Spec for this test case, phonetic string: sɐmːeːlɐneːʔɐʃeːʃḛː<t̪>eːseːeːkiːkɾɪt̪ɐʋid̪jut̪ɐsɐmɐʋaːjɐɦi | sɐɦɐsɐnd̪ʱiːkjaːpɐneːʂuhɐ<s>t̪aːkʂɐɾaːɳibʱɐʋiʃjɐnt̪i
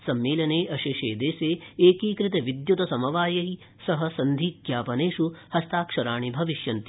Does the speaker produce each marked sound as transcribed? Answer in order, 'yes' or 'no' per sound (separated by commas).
no, yes